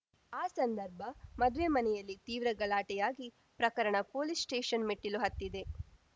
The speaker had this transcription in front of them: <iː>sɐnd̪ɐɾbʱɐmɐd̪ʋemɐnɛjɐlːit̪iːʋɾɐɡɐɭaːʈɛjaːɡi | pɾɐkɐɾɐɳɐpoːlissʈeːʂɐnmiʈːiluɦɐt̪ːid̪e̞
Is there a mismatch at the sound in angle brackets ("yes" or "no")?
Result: yes